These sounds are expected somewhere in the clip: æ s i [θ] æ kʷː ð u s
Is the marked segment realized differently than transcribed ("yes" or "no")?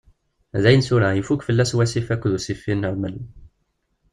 yes